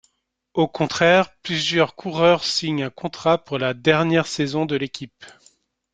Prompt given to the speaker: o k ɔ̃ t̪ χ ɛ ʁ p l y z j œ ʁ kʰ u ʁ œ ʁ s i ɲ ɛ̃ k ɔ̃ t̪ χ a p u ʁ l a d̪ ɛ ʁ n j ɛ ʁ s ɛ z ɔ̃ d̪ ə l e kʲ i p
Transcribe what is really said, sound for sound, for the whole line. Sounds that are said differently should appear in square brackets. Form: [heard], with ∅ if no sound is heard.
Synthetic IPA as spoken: o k ɔ̃ t̪ χ ɛ ʁ p l y z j œ ʁ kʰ u ʁ œ ʁ s i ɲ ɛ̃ k ɔ̃ t̪ χ a p u ʁ l a d̪ ɛ ʁ n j ɛ ʁ s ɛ z ɔ̃ d̪ ə l e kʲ i p